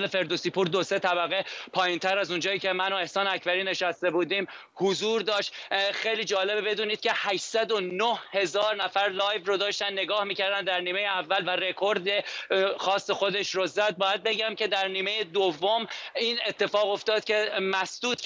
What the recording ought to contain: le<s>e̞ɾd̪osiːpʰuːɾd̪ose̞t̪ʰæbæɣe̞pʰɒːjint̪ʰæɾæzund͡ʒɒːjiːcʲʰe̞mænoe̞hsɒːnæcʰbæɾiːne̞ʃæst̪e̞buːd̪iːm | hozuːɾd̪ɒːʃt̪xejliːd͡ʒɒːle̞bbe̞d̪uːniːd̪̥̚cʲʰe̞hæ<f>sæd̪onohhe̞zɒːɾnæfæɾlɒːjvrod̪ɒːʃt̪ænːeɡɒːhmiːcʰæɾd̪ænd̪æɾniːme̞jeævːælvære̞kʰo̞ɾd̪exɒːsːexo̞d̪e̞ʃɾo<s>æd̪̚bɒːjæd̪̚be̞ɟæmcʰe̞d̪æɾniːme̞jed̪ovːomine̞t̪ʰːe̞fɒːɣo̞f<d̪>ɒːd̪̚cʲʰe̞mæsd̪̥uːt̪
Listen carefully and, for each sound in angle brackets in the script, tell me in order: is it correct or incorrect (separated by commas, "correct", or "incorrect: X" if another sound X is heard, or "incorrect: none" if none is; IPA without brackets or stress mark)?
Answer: incorrect: f, incorrect: ʃ, incorrect: z, incorrect: t̪